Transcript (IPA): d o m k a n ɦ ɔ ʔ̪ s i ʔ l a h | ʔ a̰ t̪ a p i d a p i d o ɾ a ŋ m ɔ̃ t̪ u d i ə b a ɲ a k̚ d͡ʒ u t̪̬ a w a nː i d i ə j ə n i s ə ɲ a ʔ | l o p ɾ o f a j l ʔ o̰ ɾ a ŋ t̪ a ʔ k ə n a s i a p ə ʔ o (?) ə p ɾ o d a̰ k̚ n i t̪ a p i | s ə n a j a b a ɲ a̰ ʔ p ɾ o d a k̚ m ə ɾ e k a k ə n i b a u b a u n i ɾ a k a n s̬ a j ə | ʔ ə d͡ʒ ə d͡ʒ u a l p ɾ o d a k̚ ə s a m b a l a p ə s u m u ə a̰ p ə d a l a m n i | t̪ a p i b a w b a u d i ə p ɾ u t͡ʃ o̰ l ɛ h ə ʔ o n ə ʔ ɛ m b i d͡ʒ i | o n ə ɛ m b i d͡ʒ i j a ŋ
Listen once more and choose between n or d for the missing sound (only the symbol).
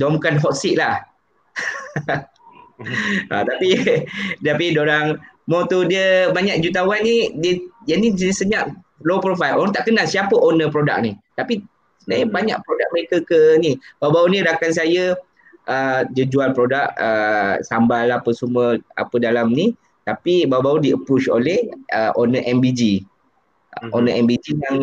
n